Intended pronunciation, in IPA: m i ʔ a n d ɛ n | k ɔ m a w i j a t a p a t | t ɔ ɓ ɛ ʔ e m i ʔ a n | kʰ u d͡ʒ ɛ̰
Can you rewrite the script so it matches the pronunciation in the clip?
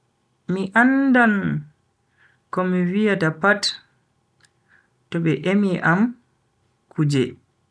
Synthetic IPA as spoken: m i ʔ a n d a n | k ɔ m i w i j a t a p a t | t ɔ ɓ ɛ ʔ e m i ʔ a m | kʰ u d͡ʒ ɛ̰